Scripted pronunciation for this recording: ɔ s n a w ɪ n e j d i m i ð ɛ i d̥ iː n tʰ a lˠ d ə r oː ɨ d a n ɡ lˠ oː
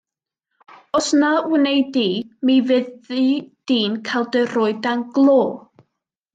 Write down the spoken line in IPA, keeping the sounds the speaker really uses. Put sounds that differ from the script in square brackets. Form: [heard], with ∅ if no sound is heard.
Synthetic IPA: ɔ s n a w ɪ n e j d i m i [v] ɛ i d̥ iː n [kʰ] a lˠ d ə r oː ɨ d a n ɡ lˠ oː